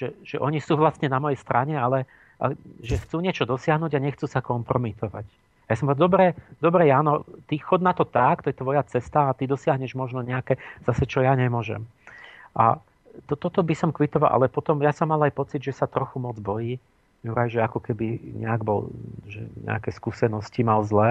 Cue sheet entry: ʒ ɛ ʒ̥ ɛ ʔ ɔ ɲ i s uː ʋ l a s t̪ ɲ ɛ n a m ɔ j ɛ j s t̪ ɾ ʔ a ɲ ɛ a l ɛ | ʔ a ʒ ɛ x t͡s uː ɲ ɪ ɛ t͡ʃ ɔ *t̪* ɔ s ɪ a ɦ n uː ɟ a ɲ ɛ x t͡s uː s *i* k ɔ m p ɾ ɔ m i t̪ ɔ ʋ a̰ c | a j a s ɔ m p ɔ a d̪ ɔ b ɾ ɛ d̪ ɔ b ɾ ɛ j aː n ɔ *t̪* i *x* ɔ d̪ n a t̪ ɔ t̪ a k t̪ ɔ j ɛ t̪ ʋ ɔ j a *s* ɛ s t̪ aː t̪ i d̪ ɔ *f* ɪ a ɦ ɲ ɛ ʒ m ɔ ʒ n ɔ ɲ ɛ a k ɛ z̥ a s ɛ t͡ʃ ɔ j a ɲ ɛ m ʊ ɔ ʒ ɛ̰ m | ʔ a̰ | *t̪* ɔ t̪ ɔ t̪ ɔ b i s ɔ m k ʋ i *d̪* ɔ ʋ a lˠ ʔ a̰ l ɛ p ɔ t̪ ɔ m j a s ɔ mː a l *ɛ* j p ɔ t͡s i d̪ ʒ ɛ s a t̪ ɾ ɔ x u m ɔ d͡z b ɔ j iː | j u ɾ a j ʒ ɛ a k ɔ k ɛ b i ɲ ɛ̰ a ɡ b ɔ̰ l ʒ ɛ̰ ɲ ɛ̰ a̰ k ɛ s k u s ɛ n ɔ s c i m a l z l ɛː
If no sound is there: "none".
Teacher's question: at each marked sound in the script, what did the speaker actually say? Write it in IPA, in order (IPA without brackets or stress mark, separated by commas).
d̪, a, t̪, x, t͡s, s, t̪, t̪, a